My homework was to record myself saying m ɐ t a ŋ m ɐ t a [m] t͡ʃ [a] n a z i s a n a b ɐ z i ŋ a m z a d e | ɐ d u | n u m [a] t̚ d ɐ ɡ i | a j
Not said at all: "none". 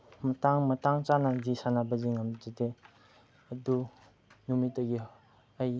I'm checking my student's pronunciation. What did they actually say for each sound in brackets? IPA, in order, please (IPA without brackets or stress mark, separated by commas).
ŋ, a, i